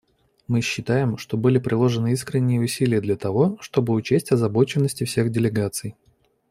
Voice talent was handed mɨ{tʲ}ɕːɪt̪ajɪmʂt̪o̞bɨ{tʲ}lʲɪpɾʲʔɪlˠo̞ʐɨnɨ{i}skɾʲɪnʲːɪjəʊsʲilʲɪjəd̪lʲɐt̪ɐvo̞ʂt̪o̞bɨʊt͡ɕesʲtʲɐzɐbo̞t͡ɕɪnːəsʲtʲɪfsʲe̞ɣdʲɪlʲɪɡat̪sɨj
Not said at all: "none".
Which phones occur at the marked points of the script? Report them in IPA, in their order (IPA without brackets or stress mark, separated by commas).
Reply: none, none, i